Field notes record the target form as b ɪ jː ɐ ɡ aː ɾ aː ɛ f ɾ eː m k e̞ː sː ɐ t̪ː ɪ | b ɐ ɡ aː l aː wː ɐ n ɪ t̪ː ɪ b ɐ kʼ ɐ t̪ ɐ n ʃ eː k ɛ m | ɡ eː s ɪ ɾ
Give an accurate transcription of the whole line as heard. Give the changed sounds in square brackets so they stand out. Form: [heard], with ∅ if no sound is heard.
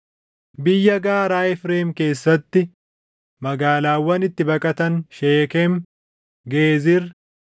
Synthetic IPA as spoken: b ɪ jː ɐ ɡ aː ɾ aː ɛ f ɾ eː m k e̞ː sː ɐ t̪ː ɪ | [m] ɐ ɡ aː l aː wː ɐ n ɪ t̪ː ɪ b ɐ kʼ ɐ t̪ ɐ n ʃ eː k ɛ m | ɡ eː [z] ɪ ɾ